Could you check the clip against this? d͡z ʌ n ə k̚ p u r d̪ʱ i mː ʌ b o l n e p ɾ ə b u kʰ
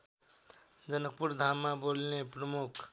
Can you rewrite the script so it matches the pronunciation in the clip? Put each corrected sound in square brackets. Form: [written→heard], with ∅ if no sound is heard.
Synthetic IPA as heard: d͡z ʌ n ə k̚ p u [r→ɾ] d̪ʱ [i→a] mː [ʌ→a] b o l n e p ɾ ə [b→m] u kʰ